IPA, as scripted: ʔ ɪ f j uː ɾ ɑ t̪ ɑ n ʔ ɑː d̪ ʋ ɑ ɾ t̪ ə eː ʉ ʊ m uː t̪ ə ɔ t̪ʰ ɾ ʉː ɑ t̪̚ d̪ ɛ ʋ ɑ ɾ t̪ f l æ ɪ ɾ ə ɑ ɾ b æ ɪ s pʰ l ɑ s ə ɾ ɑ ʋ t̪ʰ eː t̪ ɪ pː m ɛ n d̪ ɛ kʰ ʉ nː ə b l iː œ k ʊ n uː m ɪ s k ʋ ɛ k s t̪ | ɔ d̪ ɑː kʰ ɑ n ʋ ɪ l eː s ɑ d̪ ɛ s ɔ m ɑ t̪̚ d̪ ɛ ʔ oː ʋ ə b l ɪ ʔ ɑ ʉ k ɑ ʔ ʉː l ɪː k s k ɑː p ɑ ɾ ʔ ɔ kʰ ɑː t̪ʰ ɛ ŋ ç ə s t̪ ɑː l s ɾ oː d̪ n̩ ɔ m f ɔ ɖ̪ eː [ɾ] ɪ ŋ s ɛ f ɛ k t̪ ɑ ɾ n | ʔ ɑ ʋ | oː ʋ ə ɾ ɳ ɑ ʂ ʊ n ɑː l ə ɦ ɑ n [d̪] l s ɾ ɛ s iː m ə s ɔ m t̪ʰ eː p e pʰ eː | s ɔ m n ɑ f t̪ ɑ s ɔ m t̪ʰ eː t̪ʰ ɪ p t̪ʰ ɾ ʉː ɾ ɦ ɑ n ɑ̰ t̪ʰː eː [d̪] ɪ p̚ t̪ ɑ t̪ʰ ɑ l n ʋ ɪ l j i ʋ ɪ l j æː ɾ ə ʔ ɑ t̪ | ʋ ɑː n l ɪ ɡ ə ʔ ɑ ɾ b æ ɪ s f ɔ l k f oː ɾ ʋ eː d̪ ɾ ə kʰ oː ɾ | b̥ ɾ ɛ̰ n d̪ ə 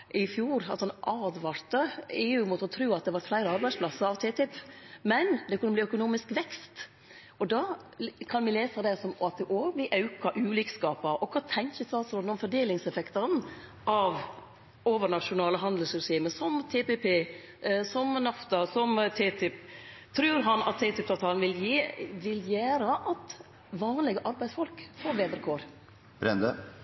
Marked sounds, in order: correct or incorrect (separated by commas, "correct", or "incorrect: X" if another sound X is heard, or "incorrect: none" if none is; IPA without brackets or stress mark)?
incorrect: l, correct, incorrect: t̪